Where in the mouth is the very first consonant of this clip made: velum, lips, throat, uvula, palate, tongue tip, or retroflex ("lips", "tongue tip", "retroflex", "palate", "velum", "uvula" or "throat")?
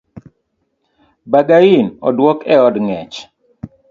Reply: lips